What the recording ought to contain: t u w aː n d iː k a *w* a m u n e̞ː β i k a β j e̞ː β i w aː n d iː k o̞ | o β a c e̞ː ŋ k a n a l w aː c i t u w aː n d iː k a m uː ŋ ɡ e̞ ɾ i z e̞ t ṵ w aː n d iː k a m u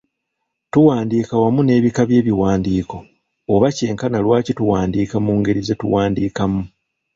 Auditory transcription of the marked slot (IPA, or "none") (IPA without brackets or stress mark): w